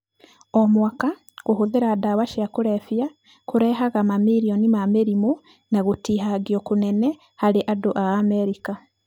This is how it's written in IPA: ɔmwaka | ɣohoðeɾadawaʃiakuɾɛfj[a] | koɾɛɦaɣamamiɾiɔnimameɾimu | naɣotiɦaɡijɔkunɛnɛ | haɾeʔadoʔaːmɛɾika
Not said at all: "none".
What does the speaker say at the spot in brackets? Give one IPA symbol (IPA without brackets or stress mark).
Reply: a